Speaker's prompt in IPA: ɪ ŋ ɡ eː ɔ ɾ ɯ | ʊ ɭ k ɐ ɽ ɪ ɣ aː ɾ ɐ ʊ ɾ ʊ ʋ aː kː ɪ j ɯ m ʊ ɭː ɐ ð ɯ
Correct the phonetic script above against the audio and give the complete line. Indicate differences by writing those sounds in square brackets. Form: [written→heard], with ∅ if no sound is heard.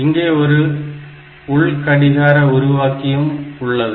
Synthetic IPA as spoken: ɪ ŋ ɡ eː ɔ ɾ ɯ | ʊ ɭ k ɐ ɽ ɪ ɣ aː ɾ ɐ ʊ ɾ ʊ ʋ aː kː ɪ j ɯ m ʊ ɭː ɐ ð ɯ